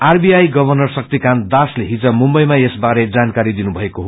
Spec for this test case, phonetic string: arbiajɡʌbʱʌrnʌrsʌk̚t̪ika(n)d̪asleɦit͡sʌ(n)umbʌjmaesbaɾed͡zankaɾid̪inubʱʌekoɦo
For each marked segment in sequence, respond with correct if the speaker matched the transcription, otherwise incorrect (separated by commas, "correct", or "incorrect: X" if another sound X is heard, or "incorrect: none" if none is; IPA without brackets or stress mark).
correct, incorrect: m